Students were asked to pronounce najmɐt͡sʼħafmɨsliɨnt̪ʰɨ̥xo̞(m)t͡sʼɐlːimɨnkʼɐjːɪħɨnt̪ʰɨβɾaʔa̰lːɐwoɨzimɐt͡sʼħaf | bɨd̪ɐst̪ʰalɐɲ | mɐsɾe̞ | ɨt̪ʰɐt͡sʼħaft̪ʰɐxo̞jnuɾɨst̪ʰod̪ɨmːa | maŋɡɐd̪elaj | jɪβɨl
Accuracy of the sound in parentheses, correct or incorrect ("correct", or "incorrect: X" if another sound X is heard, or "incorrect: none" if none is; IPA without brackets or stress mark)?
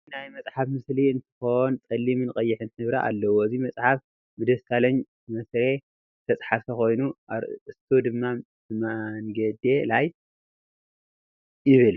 incorrect: n